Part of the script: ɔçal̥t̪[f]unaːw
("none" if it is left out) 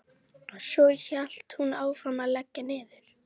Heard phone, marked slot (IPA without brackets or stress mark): h